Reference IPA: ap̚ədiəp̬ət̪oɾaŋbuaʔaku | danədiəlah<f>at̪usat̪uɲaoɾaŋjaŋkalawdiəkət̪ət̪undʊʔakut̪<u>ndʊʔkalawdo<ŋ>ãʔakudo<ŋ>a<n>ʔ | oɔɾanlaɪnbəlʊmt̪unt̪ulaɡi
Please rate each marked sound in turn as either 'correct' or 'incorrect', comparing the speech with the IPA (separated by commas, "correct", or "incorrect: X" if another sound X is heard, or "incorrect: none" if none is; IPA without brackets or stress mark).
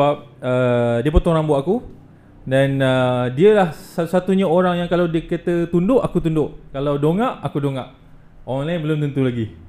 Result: incorrect: s, correct, correct, correct, incorrect: none